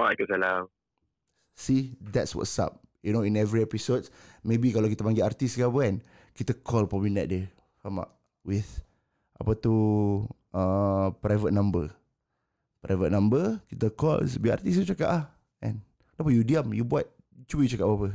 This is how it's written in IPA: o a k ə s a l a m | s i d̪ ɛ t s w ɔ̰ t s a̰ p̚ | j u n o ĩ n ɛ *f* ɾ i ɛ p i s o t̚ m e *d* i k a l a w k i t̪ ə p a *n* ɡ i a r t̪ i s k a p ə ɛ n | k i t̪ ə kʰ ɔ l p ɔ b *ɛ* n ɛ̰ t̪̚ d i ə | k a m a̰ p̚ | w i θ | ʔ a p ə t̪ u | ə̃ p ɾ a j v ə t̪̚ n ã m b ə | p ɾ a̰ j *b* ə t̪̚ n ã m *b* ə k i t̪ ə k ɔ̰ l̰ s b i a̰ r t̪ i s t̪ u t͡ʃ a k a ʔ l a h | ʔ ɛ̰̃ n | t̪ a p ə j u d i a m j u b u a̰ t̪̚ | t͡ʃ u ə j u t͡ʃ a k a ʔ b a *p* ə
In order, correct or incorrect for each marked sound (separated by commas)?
incorrect, incorrect, incorrect, incorrect, incorrect, correct, correct